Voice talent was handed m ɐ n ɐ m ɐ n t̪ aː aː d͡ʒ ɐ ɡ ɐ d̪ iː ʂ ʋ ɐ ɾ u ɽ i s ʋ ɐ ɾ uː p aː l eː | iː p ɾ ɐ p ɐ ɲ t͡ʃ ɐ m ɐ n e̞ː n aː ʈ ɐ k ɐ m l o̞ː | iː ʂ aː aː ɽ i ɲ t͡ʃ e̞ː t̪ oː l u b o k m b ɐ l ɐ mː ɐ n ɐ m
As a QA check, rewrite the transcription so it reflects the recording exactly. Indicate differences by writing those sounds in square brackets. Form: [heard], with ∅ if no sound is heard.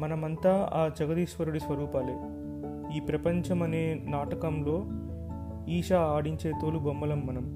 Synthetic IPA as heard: m ɐ n ɐ m ɐ n t̪ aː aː d͡ʒ ɐ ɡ ɐ d̪ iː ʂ ʋ ɐ ɾ u ɽ i s ʋ ɐ ɾ uː p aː l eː | iː p ɾ ɐ p ɐ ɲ t͡ʃ ɐ m ɐ n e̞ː n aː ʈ ɐ k ɐ m l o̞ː | iː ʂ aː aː ɽ i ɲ t͡ʃ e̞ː t̪ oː l u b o [∅] m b ɐ l ɐ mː ɐ n ɐ m